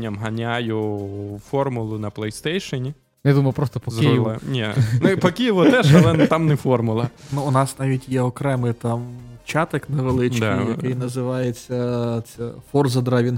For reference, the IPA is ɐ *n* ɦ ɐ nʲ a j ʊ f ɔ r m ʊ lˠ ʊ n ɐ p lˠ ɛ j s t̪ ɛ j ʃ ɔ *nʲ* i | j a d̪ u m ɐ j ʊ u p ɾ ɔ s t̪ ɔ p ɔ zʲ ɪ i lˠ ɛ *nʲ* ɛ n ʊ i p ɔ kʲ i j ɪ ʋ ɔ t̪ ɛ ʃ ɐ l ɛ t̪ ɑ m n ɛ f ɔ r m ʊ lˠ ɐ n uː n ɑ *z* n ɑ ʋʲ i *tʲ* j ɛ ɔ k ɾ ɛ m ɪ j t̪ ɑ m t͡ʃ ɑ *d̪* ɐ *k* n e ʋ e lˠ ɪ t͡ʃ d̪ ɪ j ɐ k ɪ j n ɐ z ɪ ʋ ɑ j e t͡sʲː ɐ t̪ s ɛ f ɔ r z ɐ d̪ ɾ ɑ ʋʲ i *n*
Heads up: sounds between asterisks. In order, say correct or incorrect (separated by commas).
incorrect, correct, correct, incorrect, correct, incorrect, correct, correct